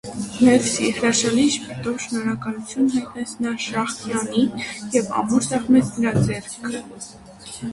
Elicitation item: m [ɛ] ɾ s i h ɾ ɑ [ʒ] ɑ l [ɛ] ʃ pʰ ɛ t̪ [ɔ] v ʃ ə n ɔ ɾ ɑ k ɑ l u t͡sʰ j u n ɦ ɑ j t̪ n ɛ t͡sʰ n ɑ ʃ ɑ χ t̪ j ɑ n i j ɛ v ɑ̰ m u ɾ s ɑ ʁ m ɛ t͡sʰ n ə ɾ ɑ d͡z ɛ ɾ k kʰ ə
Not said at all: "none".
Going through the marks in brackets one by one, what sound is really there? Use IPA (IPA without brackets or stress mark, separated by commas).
ɛ, ʃ, i, ɔ